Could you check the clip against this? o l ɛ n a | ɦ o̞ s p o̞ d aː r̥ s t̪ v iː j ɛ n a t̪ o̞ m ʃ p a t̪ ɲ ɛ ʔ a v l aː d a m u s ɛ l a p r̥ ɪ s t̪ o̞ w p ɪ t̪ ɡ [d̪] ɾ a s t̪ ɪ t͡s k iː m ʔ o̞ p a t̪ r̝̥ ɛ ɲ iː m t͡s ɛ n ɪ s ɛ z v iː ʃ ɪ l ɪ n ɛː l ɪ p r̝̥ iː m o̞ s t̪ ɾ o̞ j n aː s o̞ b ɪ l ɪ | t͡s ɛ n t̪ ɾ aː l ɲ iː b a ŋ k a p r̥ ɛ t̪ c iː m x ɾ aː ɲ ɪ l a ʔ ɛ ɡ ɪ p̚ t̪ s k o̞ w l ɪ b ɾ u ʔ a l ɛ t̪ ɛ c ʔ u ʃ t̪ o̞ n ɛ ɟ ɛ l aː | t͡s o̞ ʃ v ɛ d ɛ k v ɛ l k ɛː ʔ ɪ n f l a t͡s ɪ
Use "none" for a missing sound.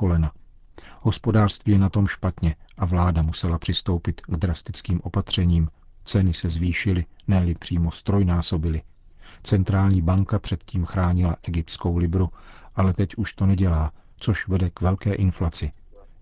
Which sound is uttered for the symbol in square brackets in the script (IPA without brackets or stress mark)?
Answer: d̪